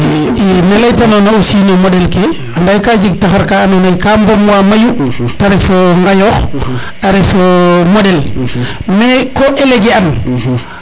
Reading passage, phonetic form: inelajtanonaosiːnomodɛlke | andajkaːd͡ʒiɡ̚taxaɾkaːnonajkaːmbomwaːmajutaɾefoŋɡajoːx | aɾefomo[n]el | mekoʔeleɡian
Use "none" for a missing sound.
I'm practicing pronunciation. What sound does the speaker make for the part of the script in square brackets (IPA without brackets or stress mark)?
d